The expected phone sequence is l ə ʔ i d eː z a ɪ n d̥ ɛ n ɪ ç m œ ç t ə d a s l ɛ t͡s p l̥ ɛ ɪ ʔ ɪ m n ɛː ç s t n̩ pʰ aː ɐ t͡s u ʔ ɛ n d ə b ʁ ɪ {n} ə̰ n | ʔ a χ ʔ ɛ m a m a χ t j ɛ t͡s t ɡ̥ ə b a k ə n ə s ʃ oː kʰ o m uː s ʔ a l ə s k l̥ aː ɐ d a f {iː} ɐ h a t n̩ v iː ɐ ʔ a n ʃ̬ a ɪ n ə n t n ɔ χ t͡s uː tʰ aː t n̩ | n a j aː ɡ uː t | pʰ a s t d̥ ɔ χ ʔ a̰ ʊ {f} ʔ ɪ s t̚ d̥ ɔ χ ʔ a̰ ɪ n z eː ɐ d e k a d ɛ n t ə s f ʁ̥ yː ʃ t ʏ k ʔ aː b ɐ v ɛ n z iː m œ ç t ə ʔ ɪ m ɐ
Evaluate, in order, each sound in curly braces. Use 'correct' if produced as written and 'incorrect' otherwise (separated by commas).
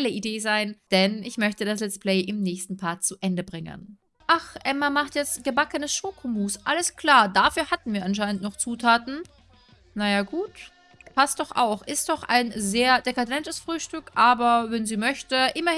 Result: incorrect, incorrect, incorrect